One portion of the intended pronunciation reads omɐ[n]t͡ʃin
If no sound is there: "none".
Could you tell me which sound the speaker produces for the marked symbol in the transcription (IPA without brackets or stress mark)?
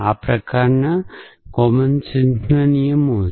n